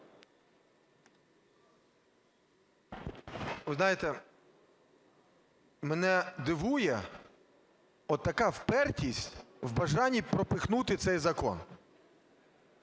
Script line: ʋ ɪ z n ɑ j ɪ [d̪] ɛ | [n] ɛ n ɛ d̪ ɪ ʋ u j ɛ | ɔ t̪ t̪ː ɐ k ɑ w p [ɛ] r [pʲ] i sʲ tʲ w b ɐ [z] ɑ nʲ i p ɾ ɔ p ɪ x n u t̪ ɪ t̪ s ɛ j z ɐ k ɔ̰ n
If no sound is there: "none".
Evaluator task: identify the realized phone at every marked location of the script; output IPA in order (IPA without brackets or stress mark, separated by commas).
t̪, m, ɛ, tʲ, ʒ